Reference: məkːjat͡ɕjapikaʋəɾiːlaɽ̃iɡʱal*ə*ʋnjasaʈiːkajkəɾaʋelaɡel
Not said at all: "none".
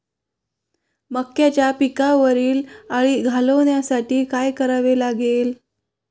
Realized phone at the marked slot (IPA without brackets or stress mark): ə